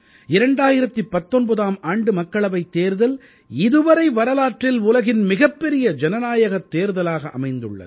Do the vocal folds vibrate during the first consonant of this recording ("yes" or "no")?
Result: yes